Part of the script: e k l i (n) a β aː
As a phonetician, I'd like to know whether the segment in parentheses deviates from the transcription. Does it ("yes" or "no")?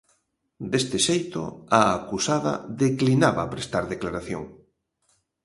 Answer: no